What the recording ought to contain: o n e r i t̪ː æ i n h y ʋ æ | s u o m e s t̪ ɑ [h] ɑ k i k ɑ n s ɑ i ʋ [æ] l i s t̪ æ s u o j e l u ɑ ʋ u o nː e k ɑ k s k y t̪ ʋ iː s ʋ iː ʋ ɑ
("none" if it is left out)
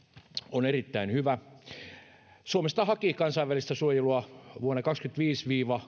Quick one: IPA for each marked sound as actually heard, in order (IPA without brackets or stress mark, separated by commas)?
h, æ